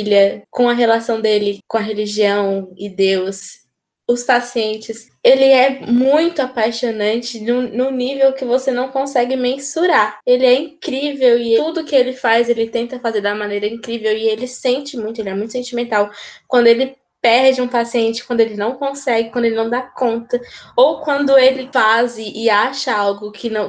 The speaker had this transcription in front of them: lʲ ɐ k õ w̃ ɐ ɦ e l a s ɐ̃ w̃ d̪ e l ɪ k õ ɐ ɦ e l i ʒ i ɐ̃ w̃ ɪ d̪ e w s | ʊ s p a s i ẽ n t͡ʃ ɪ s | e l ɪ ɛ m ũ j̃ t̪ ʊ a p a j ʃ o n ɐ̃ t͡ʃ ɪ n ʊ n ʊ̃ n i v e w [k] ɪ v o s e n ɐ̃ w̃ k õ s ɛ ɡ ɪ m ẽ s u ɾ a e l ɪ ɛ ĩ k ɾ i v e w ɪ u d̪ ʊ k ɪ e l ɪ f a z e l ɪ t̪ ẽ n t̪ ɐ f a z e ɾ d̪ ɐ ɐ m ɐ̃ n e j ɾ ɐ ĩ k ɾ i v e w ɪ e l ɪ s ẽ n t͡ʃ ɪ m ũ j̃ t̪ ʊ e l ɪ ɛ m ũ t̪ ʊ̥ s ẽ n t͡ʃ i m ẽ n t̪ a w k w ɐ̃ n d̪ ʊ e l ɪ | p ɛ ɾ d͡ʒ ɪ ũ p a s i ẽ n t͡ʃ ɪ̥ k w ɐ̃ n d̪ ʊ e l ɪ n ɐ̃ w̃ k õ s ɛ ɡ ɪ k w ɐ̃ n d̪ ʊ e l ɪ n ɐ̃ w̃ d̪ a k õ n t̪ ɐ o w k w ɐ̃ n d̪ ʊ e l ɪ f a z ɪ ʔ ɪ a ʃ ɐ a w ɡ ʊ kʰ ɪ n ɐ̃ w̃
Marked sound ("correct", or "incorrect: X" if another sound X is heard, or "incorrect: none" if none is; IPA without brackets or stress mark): correct